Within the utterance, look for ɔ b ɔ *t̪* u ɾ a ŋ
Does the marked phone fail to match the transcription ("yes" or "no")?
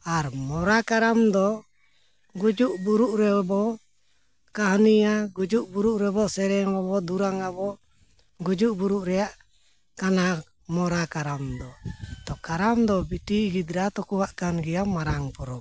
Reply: yes